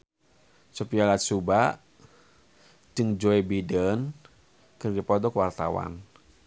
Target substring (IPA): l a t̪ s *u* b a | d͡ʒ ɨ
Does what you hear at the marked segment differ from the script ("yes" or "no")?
no